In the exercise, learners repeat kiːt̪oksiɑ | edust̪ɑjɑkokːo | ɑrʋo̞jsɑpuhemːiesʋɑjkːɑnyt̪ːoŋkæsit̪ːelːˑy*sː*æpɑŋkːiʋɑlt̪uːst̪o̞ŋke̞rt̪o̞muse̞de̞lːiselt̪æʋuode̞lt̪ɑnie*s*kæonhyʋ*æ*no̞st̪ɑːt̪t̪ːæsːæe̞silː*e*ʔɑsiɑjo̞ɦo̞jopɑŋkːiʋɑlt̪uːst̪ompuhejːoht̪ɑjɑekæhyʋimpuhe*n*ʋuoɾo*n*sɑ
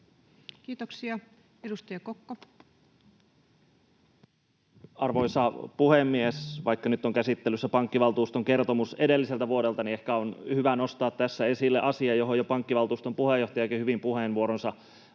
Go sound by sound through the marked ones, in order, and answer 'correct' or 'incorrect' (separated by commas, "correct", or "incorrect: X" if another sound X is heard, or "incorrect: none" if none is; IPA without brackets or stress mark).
correct, incorrect: h, correct, correct, correct, correct